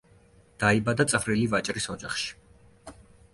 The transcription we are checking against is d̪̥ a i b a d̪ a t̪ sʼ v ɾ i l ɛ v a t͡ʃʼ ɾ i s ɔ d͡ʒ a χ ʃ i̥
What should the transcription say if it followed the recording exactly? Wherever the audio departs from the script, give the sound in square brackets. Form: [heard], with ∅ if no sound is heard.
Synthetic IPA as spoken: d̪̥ a i b a d̪ a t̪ sʼ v ɾ i l [i] v a t͡ʃʼ ɾ i s ɔ d͡ʒ a χ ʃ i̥